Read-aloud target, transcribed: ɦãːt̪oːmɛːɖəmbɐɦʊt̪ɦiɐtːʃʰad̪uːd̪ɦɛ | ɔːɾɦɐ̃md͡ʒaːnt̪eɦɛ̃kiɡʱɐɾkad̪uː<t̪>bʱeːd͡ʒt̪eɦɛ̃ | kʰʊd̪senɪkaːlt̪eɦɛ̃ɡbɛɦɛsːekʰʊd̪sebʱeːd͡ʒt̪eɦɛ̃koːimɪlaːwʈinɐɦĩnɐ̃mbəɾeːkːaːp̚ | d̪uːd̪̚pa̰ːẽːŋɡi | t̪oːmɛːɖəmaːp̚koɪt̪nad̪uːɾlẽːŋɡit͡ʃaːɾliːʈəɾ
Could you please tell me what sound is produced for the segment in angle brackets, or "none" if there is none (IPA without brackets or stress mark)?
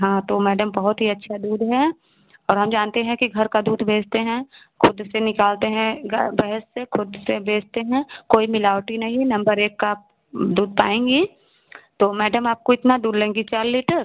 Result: d̪